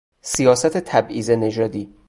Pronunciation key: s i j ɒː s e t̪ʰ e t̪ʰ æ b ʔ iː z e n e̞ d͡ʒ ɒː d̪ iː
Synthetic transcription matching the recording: s i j ɒː s æ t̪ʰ e t̪ʰ æ b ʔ iː z e n e̞ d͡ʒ ɒː d̪ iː